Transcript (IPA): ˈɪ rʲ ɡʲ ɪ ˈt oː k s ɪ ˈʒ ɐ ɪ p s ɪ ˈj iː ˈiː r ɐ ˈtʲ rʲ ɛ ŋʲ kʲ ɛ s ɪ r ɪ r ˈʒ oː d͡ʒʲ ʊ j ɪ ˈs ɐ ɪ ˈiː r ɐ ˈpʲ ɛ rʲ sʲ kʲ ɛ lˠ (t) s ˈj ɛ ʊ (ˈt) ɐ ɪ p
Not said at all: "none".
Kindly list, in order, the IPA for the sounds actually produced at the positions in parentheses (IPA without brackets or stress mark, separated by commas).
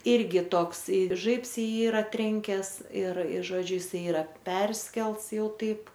t, t